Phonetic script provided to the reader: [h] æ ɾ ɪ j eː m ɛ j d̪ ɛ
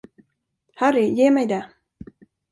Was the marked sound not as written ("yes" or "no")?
no